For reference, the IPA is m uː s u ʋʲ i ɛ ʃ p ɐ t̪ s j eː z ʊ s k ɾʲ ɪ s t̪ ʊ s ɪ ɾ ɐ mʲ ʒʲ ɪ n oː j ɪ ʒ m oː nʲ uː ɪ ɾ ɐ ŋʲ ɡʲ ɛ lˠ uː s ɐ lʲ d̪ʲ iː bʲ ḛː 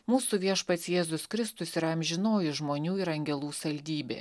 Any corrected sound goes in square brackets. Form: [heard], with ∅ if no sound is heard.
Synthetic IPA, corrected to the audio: m uː s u ʋʲ i ɛ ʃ p ɐ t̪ s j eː z ʊ s k ɾʲ ɪ s t̪ ʊ s ɪ ɾ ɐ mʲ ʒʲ ɪ n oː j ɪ ʒ m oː nʲ uː ɪ ɾ ɐ ŋʲ ɡʲ ɛ lˠ uː s ɐ lʲ d̪ʲ iː bʲ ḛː